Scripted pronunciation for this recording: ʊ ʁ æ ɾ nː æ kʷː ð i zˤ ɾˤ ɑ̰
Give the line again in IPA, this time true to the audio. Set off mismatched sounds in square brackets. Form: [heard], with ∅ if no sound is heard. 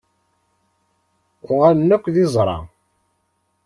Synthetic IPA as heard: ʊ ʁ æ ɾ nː æ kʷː ð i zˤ ɾˤ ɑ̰